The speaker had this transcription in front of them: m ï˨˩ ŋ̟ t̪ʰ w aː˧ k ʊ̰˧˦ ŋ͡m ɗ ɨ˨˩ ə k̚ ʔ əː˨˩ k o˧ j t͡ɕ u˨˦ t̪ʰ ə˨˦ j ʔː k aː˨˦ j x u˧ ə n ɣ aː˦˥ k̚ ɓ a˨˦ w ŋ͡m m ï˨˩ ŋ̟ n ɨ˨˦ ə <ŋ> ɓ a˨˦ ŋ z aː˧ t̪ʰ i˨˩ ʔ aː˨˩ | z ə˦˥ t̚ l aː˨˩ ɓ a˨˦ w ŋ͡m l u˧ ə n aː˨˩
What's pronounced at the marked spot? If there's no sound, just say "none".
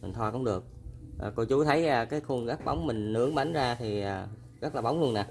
ŋ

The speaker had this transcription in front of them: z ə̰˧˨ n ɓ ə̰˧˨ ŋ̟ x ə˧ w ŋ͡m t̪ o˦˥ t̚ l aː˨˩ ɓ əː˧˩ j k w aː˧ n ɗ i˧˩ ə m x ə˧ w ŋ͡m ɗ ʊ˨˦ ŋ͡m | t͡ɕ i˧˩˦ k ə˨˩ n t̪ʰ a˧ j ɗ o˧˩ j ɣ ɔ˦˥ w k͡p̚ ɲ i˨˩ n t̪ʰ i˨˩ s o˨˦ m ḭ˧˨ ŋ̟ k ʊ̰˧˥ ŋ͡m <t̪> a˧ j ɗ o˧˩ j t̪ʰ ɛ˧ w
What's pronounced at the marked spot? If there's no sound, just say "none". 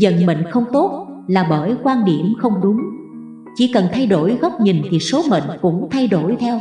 t̪ʰ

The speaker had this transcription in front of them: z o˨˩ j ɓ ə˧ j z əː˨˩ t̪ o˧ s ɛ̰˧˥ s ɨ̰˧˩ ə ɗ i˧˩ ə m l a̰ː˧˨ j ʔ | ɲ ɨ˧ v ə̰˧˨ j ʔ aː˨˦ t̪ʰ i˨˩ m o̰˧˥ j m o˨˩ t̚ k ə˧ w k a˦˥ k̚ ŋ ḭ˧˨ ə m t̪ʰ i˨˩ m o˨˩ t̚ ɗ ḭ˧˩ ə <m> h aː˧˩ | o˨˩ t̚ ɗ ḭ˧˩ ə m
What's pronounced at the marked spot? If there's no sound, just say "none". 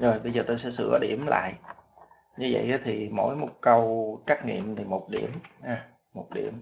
m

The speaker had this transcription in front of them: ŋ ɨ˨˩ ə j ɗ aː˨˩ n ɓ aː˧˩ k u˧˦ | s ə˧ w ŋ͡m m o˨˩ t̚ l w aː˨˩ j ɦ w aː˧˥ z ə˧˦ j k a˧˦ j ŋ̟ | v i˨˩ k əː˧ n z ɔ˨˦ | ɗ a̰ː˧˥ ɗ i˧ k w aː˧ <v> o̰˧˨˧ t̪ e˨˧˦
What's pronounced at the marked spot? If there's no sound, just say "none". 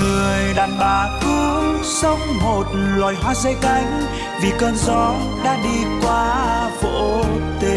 v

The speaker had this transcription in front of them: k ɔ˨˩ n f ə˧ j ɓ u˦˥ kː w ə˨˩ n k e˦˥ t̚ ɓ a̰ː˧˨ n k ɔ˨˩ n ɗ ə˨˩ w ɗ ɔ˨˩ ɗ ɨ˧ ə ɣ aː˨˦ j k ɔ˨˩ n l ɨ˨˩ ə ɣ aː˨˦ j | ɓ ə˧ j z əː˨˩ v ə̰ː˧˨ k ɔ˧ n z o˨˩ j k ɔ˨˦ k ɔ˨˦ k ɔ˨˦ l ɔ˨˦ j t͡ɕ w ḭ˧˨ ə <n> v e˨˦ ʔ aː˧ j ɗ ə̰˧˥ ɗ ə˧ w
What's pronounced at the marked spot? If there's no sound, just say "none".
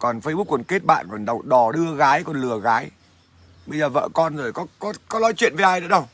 n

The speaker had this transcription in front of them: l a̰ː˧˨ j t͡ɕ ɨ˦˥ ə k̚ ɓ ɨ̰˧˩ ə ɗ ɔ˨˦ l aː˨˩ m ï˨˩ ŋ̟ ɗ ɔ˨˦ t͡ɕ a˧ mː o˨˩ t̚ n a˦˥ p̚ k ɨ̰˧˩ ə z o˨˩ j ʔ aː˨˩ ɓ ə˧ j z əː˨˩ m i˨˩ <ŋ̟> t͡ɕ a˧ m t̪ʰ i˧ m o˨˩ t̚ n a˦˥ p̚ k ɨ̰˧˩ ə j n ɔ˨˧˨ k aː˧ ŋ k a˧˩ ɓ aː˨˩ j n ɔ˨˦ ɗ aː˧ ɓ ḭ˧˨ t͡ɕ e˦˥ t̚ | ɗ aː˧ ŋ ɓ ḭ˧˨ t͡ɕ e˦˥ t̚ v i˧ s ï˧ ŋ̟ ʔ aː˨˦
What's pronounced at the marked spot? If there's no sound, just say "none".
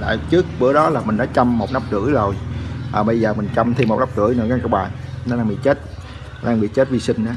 ŋ̟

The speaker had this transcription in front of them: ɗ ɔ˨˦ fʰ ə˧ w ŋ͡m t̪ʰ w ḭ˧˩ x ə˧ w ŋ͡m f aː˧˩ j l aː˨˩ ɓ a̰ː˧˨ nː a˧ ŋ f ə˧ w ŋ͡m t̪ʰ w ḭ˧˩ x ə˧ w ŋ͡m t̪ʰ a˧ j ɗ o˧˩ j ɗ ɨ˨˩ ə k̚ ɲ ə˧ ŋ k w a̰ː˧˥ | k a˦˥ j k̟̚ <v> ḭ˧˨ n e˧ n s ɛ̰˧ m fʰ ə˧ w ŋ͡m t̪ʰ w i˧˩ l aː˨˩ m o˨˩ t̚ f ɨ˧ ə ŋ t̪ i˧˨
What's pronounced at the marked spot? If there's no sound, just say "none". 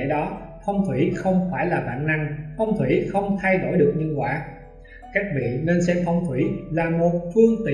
v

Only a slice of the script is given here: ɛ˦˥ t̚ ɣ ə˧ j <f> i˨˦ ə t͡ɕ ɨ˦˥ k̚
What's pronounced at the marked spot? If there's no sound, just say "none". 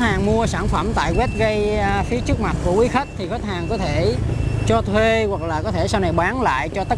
f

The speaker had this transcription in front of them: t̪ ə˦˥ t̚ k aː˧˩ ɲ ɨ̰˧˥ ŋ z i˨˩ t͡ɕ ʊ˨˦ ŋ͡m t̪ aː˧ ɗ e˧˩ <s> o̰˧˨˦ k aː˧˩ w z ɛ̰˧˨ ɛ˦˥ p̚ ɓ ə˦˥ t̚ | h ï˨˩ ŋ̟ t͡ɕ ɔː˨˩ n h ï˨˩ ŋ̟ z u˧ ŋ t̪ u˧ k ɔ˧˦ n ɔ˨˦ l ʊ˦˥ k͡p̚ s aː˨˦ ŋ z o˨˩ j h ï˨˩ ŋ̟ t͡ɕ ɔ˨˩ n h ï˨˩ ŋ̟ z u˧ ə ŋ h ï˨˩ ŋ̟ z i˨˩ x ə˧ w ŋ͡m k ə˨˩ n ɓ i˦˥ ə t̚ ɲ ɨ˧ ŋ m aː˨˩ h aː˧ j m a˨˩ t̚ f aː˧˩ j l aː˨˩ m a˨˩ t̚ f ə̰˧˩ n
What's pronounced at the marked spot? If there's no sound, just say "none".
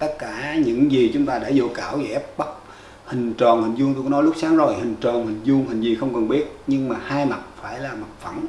z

